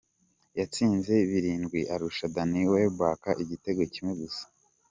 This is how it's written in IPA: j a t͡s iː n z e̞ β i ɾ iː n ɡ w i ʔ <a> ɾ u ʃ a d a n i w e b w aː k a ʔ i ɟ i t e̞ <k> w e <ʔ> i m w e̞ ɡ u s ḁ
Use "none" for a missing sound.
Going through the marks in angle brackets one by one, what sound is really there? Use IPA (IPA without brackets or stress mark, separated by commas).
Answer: a, ɡ, c